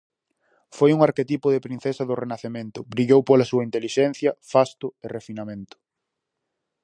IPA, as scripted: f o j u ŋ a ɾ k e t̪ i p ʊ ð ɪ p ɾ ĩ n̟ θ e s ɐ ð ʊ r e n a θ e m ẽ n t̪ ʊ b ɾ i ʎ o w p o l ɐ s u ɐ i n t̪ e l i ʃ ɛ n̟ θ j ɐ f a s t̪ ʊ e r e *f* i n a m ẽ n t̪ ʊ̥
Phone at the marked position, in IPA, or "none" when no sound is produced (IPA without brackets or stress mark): f